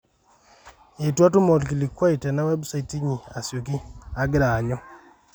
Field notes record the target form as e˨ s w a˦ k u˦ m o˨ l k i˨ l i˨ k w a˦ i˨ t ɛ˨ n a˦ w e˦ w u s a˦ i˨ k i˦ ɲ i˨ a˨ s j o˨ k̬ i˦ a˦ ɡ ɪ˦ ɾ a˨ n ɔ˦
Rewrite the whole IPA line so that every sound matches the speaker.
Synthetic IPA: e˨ t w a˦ t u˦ m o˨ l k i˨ l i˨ k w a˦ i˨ t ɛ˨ n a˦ w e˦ b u s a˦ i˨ t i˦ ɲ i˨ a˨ s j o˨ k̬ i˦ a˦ ɡ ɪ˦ ɾ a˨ ɲ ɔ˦